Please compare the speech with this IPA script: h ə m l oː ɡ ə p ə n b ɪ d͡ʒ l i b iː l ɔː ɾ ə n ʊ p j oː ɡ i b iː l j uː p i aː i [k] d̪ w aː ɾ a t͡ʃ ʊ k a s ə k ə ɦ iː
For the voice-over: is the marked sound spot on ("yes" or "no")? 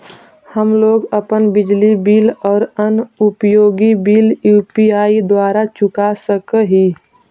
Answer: no